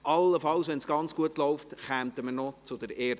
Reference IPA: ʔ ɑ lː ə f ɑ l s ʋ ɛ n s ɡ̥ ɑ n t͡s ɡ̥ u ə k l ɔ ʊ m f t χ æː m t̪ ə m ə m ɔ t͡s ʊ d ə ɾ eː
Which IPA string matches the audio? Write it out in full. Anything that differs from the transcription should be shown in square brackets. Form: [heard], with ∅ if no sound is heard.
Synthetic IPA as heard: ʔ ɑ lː ə f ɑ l s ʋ ɛ n s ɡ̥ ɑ n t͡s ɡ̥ u ə [t] l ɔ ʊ [∅] f t χ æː m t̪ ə m ə [n] ɔ t͡s ʊ d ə ɾ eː